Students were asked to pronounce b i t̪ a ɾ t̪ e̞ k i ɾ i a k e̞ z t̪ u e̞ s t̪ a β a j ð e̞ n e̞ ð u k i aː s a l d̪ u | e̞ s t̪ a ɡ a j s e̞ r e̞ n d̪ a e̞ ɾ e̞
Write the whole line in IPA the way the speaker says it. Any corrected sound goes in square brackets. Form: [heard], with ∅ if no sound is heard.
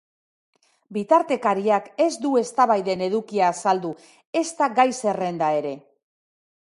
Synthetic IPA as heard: b i t̪ a ɾ t̪ e̞ k [a] ɾ i a k e̞ z [d̪] u e̞ s t̪ a β a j ð e̞ n e̞ ð u k i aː s a l d̪ u | e̞ s t̪ a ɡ a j s e̞ r e̞ n d̪ a e̞ ɾ e̞